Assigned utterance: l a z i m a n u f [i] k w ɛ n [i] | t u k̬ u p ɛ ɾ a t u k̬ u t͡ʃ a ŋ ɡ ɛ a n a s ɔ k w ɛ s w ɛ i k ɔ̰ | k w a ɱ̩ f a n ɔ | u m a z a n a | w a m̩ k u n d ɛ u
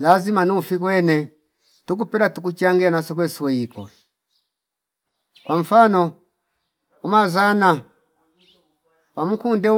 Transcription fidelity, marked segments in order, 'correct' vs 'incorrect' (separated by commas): correct, incorrect